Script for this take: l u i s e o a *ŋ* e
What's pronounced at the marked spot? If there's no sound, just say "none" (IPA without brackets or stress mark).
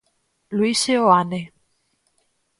n